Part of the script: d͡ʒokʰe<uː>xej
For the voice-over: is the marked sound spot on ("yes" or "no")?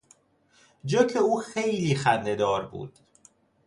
yes